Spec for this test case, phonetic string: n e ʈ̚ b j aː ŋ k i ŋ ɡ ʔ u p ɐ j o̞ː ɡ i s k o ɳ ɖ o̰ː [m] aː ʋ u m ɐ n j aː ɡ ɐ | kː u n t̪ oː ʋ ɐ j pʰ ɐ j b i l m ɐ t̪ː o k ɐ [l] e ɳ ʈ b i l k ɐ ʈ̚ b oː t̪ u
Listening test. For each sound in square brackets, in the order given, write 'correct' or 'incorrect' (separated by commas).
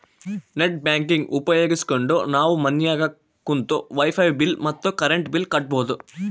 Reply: incorrect, incorrect